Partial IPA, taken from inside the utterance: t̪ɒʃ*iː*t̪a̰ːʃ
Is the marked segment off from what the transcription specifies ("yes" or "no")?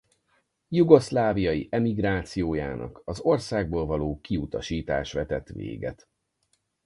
no